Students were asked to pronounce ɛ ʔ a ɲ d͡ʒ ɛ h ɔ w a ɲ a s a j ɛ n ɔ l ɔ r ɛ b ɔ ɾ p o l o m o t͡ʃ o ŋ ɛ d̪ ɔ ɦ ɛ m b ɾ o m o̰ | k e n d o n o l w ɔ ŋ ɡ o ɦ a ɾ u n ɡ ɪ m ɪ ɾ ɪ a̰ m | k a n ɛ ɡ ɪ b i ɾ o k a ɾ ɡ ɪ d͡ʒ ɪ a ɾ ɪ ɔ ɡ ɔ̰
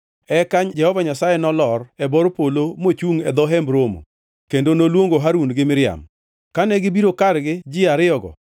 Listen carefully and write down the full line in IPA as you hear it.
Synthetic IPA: ɛ k a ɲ d͡ʒ ɛ h ɔ v a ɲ a s a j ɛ n ɔ l ɔ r ɛ b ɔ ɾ p o l o m o t͡ʃ u ŋ ɛ d̪ ɔ ɦ ɛ m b ɾ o m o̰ | k e n d o n o l w o ŋ ɡ o ɦ a ɾ u n ɡ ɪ m ɪ ɾ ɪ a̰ m | k a n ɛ ɡ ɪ b i ɾ o k a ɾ ɡ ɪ d͡ʒ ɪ a ɾ ɪ ɔ ɡ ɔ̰